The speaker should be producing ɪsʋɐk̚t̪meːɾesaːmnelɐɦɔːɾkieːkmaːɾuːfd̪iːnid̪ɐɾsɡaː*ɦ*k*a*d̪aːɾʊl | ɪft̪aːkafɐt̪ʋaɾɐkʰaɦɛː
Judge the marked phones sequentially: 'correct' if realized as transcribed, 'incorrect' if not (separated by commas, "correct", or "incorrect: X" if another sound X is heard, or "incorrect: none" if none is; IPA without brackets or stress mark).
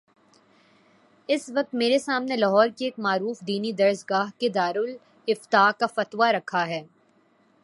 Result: correct, incorrect: e